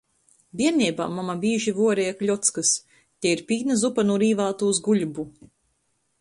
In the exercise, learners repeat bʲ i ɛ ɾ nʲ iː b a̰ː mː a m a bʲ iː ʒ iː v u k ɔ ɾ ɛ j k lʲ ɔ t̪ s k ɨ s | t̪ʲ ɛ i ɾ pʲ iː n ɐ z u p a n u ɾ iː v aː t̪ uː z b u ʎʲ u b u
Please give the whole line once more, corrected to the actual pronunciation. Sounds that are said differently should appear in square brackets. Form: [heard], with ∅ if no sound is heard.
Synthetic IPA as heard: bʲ i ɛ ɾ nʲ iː b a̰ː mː a m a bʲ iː ʒ [i] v u [∅] ɔ ɾ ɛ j k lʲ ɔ t̪ s k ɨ s | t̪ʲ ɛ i ɾ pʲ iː n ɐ z u p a n u ɾ iː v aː t̪ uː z [ɡ] u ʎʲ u b u